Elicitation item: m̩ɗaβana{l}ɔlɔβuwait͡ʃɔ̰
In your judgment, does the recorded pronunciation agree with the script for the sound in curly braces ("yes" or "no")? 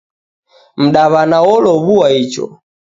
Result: no